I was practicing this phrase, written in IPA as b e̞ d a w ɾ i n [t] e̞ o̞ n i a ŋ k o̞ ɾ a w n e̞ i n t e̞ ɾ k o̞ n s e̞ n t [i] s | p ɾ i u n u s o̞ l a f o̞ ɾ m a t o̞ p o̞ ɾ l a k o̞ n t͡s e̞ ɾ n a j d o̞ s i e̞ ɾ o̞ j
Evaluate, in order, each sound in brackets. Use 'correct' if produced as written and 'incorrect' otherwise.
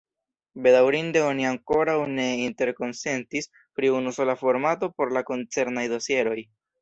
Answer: incorrect: d, correct

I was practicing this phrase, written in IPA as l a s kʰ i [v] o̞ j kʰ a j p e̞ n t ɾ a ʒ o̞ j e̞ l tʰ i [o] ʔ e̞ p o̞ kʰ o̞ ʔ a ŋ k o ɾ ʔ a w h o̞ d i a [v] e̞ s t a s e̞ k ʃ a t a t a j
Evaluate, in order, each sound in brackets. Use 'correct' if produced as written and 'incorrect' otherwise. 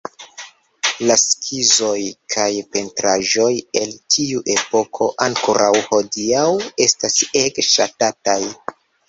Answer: incorrect: z, incorrect: u, incorrect: w

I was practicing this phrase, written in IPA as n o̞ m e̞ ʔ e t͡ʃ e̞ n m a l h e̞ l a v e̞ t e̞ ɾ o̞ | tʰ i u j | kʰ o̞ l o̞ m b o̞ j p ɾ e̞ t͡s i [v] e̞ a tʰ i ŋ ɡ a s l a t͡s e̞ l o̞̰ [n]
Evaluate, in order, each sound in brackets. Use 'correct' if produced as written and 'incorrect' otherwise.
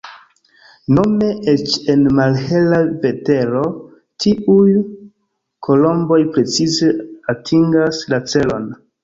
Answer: incorrect: z, correct

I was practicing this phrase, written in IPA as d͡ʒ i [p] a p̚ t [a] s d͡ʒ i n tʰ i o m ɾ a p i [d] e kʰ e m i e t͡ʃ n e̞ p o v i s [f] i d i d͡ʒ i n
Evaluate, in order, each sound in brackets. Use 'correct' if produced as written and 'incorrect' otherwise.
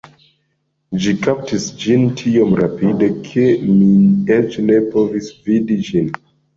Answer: incorrect: k, incorrect: i, correct, incorrect: v

